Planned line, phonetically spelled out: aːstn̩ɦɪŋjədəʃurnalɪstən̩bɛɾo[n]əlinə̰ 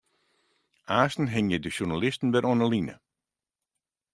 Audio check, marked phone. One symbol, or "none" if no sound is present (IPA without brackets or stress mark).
n